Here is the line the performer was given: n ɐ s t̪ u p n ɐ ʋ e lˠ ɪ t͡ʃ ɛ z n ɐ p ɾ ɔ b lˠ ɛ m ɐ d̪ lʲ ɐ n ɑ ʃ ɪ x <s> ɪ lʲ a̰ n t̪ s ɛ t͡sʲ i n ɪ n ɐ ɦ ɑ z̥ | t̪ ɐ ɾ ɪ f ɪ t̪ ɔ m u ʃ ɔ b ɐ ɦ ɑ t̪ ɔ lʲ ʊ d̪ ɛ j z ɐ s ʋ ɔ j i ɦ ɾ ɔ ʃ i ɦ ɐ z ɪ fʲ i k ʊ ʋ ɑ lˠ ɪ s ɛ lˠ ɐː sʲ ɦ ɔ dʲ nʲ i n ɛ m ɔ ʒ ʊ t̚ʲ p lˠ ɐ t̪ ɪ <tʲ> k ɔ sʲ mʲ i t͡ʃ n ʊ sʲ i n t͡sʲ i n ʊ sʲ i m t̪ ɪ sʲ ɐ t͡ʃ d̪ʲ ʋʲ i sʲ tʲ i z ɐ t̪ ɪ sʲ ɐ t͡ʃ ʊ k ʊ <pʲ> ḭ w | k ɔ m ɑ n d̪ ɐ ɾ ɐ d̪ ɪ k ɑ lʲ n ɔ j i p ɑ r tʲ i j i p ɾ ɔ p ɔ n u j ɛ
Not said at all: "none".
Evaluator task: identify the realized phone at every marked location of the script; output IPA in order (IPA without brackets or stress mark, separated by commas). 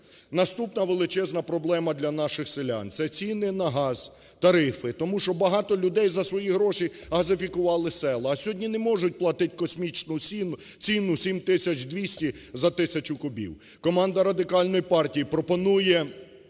s, tʲ, bʲ